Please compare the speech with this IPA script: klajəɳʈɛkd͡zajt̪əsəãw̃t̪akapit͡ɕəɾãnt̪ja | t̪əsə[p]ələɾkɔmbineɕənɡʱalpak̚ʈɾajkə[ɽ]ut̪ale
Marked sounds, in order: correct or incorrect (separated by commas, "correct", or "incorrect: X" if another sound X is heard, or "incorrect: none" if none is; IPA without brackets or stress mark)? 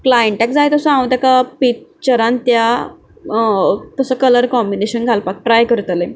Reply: incorrect: k, incorrect: ɾ